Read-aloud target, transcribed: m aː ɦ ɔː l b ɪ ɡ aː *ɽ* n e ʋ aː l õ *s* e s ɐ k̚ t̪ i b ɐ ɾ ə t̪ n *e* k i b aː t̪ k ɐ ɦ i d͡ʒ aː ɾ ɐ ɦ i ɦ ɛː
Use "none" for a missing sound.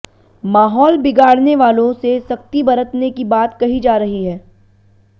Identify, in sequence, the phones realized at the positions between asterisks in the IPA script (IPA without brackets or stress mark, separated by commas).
ɽ, s, e